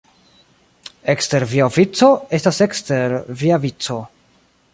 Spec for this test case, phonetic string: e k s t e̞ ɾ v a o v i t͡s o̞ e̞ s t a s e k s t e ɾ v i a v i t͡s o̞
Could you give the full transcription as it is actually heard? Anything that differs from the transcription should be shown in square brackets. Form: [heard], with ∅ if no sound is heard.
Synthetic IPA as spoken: e k s t e̞ ɾ v [i] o v i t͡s o̞ e̞ s t a s e k s t e ɾ v i a v i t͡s o̞